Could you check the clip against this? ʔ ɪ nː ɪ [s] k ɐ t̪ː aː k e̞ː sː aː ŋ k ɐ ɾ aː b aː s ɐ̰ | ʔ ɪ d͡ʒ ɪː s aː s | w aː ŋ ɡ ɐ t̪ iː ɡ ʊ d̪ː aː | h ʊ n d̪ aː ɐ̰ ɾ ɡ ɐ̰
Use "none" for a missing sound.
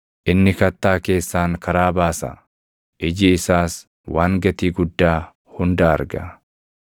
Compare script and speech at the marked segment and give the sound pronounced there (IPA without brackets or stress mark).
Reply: none